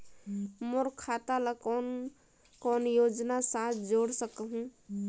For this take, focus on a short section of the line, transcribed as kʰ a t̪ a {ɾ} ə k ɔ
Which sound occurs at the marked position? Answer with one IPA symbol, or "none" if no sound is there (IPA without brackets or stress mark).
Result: l